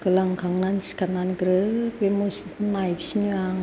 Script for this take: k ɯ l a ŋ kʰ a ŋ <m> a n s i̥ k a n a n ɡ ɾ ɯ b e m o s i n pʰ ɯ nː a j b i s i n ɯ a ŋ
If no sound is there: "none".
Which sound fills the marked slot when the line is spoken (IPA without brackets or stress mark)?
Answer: n